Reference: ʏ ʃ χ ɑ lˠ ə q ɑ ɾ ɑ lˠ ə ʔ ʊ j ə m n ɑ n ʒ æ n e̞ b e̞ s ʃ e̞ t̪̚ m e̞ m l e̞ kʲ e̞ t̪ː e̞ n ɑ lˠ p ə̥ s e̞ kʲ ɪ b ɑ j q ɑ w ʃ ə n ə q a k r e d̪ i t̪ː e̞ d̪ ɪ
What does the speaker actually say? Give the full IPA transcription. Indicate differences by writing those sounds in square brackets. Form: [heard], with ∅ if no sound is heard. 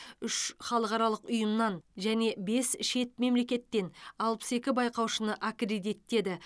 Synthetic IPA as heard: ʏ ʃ χ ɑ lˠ ə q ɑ ɾ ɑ lˠ ə [q] ʊ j ə m n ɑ n ʒ æ n e̞ b e̞ s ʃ e̞ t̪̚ m e̞ m l e̞ kʲ e̞ t̪ː e̞ n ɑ lˠ p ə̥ s e̞ kʲ ɪ b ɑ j q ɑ w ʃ ə n ə [ʔ] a k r e d̪ i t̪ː e̞ d̪ ɪ